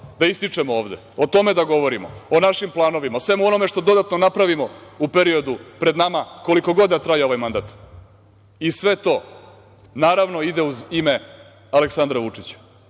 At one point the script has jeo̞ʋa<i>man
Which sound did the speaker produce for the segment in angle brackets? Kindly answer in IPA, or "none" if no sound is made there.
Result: j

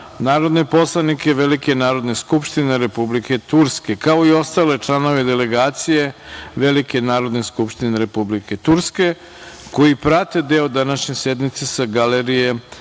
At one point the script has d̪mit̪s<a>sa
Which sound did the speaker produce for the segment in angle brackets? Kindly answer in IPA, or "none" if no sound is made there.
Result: e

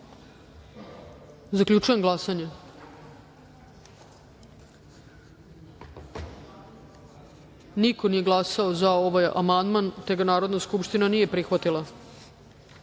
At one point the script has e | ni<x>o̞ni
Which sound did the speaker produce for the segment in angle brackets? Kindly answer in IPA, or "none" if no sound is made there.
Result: k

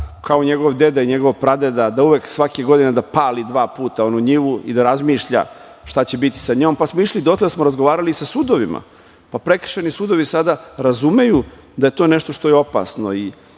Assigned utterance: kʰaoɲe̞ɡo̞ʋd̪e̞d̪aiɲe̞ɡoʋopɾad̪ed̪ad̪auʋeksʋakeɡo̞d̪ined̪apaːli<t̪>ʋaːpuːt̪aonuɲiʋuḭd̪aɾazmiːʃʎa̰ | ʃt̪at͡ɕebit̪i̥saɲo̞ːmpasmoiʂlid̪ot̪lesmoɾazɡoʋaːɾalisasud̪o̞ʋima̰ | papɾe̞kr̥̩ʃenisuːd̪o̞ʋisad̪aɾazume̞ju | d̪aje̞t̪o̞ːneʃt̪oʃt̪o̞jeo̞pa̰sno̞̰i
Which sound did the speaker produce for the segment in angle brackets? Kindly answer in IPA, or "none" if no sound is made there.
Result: d̪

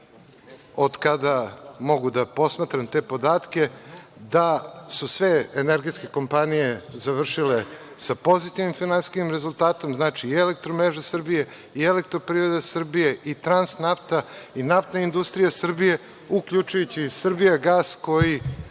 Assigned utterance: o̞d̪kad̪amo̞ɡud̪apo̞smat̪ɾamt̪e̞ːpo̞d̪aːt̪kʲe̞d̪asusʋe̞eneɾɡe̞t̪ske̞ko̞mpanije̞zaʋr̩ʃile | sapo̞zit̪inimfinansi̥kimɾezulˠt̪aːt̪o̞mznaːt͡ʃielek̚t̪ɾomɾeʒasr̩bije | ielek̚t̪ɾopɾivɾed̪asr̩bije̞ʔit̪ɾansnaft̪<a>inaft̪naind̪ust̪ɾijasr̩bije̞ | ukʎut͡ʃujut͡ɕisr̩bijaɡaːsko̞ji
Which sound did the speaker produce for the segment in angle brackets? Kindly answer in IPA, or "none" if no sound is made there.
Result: a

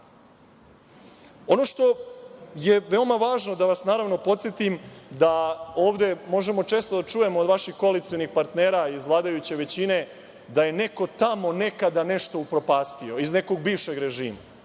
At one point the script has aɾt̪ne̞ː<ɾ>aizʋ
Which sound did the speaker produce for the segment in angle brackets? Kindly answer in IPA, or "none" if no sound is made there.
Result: ɾ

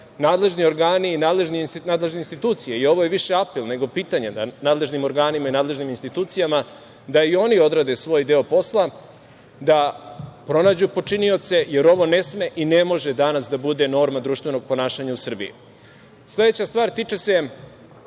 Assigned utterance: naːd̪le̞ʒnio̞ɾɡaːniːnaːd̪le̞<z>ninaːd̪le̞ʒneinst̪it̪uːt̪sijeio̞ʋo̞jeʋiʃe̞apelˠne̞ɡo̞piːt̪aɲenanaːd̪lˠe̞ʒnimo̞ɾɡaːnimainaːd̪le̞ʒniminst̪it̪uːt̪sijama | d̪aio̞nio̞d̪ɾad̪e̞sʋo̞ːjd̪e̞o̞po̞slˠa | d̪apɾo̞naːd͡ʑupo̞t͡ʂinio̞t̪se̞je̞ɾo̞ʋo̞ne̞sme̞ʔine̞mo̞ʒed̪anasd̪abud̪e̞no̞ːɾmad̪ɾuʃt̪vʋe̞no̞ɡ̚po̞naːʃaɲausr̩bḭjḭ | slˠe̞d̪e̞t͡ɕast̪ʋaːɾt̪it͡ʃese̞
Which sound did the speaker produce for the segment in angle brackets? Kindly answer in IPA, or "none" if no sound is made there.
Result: ʒ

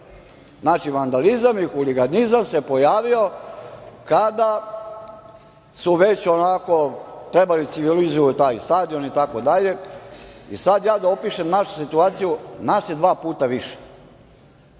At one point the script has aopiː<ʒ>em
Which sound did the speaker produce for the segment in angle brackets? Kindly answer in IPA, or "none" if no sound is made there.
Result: ʃ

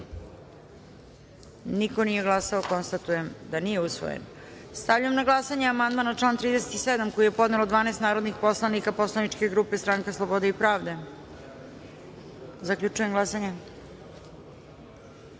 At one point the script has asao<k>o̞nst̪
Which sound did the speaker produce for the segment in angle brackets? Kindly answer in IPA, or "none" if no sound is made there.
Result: k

